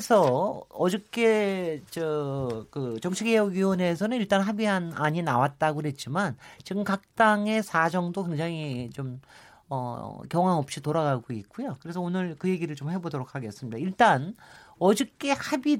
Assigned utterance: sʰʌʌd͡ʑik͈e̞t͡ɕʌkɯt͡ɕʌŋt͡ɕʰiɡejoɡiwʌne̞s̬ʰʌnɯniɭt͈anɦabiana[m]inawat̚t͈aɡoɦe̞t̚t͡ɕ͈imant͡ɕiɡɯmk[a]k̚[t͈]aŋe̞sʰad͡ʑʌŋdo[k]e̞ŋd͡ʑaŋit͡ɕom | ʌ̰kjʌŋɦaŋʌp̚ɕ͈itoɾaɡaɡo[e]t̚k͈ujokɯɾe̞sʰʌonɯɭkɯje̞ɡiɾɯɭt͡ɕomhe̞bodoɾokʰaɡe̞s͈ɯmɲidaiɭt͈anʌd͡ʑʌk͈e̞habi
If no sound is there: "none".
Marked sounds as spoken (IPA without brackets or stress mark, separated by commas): ɲ, a, t͈, k, i